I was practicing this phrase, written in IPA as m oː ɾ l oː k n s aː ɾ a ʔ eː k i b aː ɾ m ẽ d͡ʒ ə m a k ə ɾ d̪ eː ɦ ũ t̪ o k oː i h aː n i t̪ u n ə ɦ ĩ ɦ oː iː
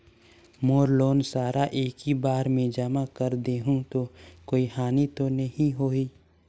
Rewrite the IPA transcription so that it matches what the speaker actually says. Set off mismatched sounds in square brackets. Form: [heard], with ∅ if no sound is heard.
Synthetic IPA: m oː ɾ l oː [∅] n s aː ɾ a ʔ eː k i b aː ɾ m ẽ d͡ʒ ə m a k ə ɾ d̪ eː ɦ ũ t̪ o k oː i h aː n i t̪ [o] n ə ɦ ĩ ɦ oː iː